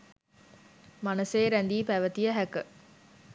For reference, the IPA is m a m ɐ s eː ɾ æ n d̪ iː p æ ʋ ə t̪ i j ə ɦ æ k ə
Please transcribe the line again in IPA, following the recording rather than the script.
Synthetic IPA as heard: m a n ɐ s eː ɾ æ n d̪ iː p æ ʋ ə t̪ i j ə ɦ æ k ə